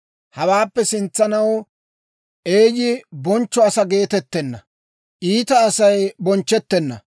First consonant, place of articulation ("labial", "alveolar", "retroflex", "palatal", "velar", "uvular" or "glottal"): glottal